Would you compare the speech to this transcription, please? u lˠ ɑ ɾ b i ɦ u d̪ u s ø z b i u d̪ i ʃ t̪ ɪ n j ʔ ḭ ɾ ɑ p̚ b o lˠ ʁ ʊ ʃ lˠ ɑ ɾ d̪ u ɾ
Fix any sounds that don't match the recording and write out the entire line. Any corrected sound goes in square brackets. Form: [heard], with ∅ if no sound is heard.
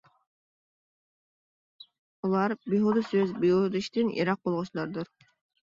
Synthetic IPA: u lˠ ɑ ɾ b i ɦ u d̪ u s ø z b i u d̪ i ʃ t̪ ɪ n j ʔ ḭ ɾ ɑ [q̚] b o lˠ ʁ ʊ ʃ lˠ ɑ ɾ d̪ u ɾ